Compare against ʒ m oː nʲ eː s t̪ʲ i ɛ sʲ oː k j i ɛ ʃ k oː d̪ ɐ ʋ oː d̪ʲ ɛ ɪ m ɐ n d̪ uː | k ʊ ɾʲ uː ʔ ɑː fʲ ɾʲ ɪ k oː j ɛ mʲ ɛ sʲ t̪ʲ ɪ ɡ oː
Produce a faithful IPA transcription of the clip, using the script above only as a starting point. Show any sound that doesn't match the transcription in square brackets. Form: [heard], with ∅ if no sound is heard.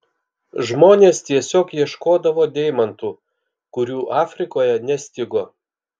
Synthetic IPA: ʒ m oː nʲ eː s t̪ʲ i ɛ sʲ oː k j i ɛ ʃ k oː d̪ ɐ ʋ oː d̪ʲ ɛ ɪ m ɐ n [t̪] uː | k ʊ ɾʲ uː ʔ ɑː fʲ ɾʲ ɪ k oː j ɛ [nʲ] ɛ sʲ t̪ʲ ɪ ɡ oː